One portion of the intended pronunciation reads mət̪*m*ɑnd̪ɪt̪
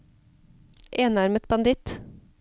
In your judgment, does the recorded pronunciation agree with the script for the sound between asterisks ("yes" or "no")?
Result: no